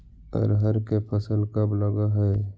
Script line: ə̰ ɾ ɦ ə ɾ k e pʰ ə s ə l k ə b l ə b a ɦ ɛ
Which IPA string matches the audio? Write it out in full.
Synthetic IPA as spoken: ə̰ ɾ ɦ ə ɾ k e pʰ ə s ə l k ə b l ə ɡ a ɦ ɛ